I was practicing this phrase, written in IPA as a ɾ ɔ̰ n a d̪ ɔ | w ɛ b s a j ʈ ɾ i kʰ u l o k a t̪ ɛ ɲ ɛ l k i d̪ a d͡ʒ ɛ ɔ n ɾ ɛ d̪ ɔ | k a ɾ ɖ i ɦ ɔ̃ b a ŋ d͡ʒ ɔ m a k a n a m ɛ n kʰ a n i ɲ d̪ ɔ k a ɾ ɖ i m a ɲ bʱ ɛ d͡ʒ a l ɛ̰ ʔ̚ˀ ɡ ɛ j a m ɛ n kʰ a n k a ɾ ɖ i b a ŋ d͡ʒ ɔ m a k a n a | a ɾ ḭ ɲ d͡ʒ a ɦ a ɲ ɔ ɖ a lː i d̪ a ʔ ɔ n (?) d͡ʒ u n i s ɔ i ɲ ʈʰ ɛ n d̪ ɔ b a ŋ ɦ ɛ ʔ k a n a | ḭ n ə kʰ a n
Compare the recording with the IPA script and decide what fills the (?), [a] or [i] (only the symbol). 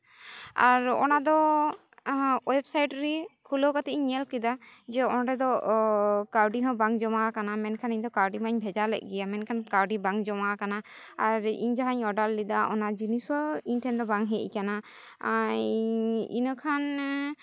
a